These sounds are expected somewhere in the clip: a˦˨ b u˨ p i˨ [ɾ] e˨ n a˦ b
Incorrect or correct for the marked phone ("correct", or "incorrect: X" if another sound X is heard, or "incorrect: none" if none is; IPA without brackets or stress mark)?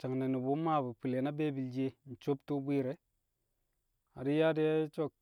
incorrect: l